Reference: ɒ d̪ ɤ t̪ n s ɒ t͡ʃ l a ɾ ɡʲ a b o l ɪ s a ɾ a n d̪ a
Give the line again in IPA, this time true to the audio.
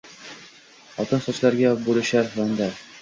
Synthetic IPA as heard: ɒ t̪ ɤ n s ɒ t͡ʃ l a ɾ ɡʲ a b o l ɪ ʃ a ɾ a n d̪ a